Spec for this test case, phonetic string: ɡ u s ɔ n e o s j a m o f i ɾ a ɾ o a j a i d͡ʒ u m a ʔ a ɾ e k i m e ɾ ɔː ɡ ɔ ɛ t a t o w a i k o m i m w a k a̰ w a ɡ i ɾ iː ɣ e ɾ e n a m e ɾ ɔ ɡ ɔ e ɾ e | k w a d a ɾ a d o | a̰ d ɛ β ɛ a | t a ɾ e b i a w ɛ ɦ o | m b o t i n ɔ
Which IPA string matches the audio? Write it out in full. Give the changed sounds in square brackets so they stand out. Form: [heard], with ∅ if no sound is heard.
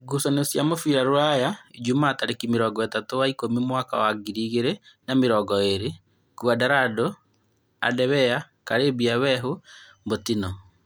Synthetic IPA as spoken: ɡ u s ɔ n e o s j a m o f i ɾ a ɾ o a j a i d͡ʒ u m a [t] a ɾ e k i m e ɾ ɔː ɡ ɔ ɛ t a t o w a i k o m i m w a k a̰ w a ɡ i ɾ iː ɣ e ɾ e n a m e ɾ ɔ ɡ ɔ e ɾ e | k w a d a ɾ a d o | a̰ d ɛ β ɛ a | [k] a ɾ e b i a w ɛ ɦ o | m b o t i n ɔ